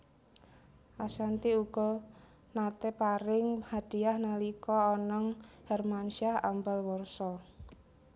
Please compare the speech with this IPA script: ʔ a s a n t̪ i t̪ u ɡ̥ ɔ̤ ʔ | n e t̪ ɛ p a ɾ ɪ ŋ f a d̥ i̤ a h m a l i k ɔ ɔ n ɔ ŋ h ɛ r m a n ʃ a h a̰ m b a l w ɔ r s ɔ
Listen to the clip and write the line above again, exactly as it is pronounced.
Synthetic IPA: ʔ a s a n t̪ i u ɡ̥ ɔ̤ | n a t̪ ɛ p a ɾ ɪ ŋ h a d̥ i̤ a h n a l i k ɔ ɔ n ɔ ŋ h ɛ r m a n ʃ a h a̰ m b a l w ɔ r s ɔ